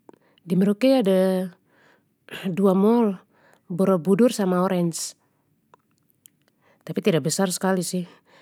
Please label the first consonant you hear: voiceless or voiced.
voiced